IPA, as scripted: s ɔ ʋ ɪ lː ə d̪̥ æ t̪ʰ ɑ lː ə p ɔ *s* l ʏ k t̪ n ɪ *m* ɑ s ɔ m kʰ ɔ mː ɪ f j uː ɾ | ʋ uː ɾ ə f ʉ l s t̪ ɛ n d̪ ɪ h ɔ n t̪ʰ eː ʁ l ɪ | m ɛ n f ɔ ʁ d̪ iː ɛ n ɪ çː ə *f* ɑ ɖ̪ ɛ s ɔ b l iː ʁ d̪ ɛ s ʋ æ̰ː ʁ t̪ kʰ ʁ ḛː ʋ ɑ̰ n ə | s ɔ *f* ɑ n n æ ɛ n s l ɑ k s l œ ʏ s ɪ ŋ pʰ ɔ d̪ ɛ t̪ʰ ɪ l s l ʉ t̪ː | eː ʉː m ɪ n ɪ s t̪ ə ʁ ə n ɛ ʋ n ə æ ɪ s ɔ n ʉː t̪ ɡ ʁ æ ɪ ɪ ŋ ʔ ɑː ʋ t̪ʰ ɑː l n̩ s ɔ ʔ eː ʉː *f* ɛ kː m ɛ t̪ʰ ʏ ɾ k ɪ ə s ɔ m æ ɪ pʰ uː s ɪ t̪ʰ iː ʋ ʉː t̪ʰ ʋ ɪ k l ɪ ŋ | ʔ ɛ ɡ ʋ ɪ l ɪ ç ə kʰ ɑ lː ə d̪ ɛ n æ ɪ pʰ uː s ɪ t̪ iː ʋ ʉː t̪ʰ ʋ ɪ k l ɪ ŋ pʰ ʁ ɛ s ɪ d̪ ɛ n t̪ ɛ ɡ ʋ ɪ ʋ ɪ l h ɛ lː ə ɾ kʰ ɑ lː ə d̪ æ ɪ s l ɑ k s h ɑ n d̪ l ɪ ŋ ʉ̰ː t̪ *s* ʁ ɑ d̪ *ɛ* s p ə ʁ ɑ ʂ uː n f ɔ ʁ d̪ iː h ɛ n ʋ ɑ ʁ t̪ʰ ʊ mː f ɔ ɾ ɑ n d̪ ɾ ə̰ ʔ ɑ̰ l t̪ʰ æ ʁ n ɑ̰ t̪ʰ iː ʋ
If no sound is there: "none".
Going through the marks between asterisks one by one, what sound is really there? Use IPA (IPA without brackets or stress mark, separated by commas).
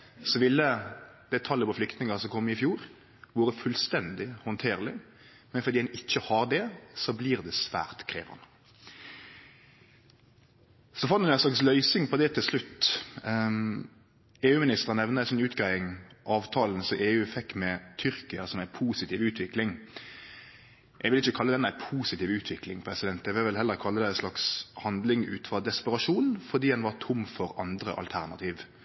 f, ŋ, h, f, f, f, ɛ